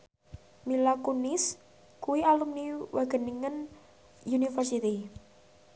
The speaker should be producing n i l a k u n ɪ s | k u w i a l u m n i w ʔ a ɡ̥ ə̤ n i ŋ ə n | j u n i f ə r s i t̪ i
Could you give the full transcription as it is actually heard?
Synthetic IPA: m i l a k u n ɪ s | k u w i a l u m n i w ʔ a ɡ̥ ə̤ n i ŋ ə n | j u n i f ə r s i t̪ i